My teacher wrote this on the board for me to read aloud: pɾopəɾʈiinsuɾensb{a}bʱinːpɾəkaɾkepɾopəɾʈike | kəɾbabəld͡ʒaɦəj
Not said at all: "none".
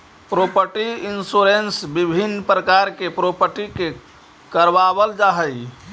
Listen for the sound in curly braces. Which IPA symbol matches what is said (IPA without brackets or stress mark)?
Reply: i